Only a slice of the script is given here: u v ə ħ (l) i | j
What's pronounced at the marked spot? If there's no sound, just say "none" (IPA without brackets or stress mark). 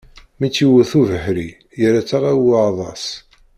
ɾ